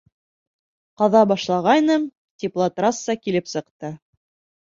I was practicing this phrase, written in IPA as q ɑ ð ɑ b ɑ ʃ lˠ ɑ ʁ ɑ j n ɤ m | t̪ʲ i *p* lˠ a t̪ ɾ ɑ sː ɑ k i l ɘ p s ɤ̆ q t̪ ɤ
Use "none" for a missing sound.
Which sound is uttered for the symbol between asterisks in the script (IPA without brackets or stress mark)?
p